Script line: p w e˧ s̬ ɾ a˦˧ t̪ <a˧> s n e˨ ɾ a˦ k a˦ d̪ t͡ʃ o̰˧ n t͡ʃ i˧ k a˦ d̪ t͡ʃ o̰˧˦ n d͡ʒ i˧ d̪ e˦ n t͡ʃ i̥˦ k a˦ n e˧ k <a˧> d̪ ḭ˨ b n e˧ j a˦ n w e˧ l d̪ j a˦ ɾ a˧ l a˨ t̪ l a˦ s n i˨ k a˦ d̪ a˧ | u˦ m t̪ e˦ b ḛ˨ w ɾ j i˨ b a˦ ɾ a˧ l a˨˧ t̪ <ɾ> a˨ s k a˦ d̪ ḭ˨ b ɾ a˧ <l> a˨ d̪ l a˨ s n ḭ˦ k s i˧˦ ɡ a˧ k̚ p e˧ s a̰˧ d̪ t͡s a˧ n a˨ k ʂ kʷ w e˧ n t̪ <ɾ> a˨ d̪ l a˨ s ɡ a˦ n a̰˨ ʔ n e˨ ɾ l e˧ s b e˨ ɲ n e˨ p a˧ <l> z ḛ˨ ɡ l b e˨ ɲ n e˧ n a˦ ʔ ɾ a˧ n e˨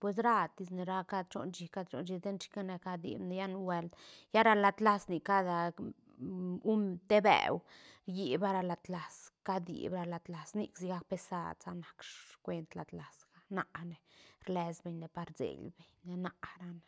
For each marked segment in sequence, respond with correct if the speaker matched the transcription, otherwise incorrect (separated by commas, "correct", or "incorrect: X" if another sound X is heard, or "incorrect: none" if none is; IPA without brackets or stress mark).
incorrect: i˧, correct, incorrect: l, correct, incorrect: l, incorrect: ɾ